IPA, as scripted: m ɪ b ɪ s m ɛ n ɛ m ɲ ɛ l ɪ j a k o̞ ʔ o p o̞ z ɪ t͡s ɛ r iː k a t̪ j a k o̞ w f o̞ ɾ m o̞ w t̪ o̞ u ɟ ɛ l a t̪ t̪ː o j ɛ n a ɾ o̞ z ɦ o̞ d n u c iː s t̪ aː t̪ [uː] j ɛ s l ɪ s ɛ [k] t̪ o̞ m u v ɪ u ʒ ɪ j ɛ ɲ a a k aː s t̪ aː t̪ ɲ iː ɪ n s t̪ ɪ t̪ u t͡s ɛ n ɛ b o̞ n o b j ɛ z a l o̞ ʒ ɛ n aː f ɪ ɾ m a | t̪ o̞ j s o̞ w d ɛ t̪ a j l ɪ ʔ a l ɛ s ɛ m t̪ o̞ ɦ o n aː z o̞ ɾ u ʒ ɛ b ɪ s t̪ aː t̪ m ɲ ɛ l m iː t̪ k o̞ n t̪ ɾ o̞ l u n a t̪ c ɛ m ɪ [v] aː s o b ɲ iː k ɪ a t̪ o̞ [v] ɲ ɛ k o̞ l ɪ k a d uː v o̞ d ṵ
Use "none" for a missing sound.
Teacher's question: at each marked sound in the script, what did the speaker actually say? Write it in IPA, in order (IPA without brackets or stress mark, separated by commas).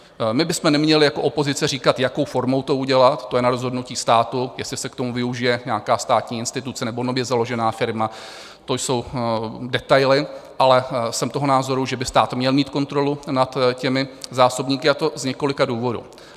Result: u, k, z, z